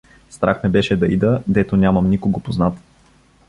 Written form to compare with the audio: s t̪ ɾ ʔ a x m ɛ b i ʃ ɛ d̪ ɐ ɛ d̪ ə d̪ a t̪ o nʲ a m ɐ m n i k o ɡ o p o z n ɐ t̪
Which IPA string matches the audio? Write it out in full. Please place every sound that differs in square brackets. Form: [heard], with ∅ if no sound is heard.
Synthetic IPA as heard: s t̪ ɾ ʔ a x m ɛ b [ɛ] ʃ ɛ d̪ ɐ [i] d̪ ə d̪ [ɛ] t̪ o nʲ a m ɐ m n i k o ɡ o p o z n [a] t̪